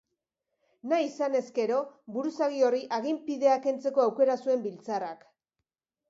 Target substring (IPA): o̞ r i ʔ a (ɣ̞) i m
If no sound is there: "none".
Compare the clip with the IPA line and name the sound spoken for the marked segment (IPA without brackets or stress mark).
ɣ̞